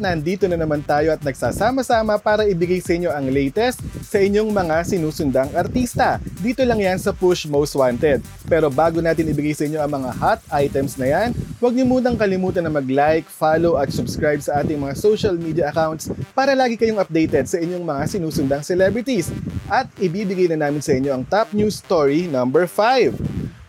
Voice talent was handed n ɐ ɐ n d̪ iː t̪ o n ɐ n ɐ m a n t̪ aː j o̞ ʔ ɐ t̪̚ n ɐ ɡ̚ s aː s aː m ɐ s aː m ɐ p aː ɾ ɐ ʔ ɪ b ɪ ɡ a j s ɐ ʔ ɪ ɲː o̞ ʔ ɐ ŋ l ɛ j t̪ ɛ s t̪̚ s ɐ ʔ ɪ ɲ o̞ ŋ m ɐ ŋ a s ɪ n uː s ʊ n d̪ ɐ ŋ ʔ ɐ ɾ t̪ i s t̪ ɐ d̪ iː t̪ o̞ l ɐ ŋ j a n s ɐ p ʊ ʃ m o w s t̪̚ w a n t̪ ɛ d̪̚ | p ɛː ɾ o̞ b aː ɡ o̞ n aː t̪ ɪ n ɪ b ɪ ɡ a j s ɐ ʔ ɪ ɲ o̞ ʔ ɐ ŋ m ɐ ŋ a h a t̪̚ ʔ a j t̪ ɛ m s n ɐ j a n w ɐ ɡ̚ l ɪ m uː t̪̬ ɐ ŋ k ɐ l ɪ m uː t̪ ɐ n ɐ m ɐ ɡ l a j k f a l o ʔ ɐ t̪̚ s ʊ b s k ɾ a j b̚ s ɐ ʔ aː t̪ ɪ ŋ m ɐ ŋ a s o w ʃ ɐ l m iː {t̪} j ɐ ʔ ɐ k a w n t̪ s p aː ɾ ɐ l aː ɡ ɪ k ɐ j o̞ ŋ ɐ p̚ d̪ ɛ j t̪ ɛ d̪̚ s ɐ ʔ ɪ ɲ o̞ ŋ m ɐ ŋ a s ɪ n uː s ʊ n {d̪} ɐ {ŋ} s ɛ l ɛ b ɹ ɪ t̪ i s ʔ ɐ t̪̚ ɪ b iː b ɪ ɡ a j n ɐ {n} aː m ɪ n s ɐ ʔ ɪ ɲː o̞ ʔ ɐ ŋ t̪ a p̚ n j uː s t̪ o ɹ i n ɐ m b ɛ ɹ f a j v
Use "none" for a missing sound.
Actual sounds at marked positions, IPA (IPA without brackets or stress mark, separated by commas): d̪, d̪, ŋ, n